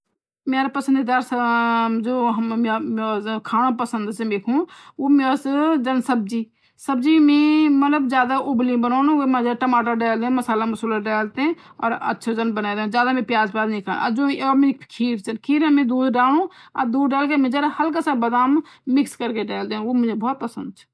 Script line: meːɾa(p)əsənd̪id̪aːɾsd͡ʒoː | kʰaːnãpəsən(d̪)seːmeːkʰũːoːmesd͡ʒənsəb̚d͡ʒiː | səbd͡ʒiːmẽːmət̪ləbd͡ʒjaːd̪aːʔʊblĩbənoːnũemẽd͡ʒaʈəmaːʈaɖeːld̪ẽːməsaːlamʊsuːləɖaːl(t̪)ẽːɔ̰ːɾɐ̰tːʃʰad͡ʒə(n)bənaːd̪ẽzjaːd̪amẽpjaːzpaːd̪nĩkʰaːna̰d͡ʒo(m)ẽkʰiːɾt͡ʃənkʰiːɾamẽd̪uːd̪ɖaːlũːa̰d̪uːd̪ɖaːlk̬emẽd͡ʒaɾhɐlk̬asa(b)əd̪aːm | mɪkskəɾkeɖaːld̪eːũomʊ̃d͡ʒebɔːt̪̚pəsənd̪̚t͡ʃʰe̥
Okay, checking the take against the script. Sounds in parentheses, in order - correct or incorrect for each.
correct, correct, correct, correct, correct, correct

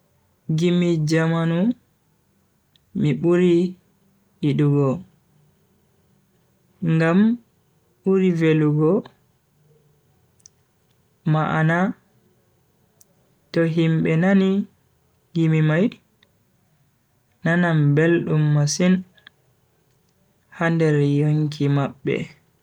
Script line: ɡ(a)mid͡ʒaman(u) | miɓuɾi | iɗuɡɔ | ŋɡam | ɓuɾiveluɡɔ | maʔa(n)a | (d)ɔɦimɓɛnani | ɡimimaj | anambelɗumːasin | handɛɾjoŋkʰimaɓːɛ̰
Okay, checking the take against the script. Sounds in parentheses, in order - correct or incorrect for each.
incorrect, correct, correct, incorrect

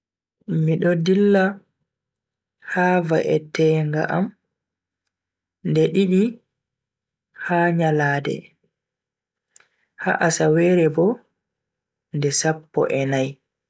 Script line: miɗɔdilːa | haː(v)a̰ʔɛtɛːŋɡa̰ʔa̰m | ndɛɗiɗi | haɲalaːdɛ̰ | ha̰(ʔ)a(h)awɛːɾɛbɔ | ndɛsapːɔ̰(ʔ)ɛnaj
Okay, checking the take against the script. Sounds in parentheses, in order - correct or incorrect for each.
correct, correct, incorrect, correct

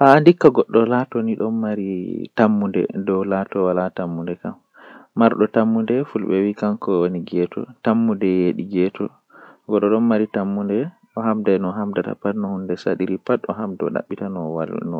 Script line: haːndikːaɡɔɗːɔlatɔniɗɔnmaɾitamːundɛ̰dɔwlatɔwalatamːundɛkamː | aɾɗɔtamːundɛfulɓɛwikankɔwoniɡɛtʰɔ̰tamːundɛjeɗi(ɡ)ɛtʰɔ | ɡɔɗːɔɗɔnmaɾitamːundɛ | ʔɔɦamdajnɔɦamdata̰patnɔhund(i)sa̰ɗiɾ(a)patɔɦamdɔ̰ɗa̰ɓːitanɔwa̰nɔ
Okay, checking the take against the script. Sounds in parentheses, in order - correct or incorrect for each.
correct, incorrect, incorrect

